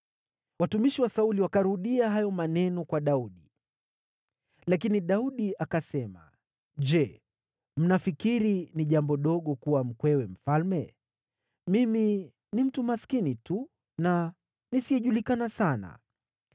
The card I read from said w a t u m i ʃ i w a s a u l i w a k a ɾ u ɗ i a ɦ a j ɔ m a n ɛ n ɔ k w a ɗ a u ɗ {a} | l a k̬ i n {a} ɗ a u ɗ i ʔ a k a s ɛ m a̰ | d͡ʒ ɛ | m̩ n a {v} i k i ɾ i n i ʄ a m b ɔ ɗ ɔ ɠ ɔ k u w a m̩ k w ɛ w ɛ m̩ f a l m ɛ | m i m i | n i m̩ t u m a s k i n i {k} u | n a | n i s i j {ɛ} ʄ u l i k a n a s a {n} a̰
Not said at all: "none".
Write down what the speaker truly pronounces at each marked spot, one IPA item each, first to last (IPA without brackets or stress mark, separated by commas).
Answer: i, i, f, t, ɛ, n